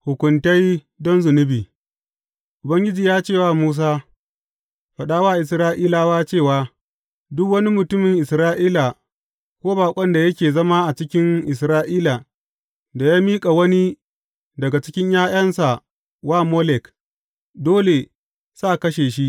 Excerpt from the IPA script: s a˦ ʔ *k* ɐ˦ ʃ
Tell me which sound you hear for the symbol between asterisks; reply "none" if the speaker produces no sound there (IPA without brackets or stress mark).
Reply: k